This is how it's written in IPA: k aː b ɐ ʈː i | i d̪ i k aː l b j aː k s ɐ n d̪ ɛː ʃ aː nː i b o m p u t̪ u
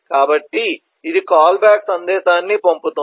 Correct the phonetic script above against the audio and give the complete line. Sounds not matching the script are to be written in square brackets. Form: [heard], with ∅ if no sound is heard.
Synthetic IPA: k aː b ɐ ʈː i | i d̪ i k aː l b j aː k s ɐ n d̪ ɛː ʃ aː nː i [p] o m p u t̪ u